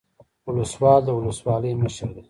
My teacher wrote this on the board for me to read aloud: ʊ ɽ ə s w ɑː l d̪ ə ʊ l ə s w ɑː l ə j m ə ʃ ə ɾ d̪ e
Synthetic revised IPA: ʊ l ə s w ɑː l d̪ ə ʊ l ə s w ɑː l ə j m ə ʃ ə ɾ d̪ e